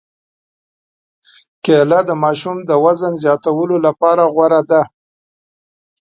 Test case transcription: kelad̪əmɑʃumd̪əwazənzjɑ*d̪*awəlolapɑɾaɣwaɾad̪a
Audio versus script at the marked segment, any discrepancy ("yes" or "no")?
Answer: yes